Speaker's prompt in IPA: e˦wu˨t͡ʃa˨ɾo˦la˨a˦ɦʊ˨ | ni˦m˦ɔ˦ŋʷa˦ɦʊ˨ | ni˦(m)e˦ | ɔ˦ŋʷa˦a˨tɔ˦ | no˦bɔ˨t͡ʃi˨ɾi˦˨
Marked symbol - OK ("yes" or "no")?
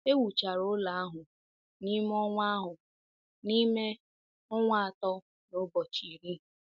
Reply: yes